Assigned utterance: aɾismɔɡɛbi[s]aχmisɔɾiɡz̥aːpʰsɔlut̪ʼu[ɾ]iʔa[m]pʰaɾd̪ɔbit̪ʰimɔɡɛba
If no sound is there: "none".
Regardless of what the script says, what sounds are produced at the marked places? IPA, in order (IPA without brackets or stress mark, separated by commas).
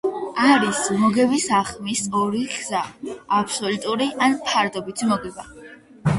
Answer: s, ɾ, n